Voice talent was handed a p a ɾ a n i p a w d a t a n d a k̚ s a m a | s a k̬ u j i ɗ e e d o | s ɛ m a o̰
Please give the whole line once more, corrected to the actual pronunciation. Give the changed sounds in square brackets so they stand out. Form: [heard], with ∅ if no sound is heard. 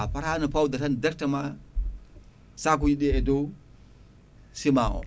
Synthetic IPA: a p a ɾ a n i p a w d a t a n d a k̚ [t] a m a | s a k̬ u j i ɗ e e d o | s [i] m a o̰